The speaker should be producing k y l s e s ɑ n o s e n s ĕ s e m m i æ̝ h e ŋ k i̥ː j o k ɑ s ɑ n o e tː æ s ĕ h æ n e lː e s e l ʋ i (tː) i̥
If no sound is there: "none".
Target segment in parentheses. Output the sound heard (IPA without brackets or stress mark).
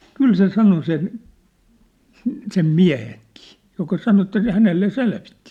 tː